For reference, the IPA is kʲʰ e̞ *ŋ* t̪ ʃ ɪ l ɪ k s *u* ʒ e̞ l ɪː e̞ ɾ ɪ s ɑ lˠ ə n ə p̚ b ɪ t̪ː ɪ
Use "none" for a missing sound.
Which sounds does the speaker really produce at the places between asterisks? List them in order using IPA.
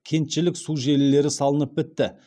n, u

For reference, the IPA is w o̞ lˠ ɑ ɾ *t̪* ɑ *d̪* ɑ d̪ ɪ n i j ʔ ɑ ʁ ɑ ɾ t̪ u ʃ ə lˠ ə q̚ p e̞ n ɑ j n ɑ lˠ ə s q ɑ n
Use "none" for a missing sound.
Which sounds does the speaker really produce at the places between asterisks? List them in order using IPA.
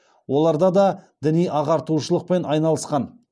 d̪, d̪

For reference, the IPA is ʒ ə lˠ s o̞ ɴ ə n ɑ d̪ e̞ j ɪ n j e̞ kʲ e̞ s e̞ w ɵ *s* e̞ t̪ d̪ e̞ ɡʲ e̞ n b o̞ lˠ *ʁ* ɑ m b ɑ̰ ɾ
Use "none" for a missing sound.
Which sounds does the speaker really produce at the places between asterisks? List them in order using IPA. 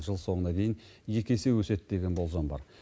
s, z

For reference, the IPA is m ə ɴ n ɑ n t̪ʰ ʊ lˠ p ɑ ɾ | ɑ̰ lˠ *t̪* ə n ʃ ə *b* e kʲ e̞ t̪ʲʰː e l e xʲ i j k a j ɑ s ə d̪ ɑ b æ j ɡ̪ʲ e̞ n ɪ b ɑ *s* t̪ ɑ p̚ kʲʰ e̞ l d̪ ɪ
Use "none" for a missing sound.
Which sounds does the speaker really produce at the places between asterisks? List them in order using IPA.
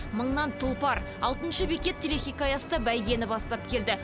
t̪, b, s

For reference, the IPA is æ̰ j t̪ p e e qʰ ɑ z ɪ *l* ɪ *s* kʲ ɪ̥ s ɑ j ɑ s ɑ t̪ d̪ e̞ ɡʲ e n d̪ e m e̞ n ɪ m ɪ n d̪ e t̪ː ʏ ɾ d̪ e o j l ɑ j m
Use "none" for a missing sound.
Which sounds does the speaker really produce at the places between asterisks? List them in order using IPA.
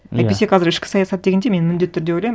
ɾ, ʃ

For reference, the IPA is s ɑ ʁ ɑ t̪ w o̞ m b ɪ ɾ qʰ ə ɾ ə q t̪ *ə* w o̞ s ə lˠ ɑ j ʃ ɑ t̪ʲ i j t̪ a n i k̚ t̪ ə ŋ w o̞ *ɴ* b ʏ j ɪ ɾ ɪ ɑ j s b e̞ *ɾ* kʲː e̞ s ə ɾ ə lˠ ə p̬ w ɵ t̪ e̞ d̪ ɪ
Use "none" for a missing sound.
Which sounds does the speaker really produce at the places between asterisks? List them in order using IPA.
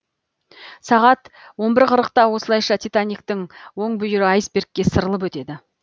ɑ, ɴ, ɾ

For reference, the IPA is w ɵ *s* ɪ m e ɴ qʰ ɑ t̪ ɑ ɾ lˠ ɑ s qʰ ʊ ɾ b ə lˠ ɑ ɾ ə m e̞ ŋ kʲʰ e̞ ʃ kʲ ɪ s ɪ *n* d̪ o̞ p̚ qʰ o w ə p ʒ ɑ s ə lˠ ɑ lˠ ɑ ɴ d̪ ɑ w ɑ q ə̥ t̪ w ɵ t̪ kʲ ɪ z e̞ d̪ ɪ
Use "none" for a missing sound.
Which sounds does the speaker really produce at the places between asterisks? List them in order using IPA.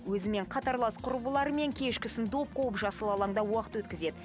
z, n

